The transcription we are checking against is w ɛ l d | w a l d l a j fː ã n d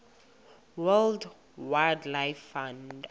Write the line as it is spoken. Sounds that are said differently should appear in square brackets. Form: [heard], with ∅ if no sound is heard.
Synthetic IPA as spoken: w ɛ l d | w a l d l a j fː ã n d